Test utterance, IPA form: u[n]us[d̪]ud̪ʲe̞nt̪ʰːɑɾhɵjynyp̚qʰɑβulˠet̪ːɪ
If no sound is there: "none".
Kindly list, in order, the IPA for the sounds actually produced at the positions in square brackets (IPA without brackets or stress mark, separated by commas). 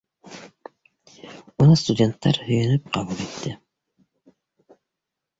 n, t̪